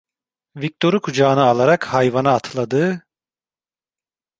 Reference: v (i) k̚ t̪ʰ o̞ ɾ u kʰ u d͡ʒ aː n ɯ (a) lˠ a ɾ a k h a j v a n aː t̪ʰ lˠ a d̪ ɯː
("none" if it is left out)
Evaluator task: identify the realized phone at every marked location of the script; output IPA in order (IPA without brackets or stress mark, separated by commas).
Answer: i, a